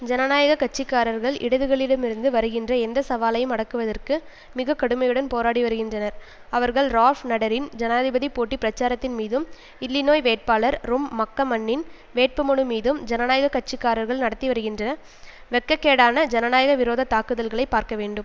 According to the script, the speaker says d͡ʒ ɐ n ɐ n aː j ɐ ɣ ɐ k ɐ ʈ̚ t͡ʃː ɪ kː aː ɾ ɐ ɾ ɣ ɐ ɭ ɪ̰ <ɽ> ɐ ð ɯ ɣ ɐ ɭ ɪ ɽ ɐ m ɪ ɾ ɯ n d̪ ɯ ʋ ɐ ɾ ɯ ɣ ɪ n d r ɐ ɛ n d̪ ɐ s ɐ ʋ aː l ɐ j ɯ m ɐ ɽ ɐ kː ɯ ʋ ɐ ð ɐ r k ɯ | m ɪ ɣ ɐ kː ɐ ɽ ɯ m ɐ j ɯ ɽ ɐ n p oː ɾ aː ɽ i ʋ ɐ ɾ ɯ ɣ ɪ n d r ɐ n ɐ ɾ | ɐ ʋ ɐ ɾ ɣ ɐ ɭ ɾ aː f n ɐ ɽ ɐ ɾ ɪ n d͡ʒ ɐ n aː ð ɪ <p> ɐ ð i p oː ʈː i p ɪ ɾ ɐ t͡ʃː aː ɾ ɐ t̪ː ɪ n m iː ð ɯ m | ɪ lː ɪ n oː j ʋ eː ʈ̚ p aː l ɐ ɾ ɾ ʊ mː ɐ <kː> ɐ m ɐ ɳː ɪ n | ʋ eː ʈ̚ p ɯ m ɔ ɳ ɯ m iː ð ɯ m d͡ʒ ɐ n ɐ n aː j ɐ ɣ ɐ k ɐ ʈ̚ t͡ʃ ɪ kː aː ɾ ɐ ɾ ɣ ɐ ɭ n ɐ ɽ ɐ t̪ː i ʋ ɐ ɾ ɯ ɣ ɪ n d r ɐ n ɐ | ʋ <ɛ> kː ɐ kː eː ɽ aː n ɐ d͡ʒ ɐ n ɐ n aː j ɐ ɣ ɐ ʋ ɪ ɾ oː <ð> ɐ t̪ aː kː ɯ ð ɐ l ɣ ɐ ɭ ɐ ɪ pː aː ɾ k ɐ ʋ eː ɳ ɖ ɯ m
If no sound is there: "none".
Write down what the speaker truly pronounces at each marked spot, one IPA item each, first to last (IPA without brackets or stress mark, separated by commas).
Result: ɽ, b, kː, ɛ, ð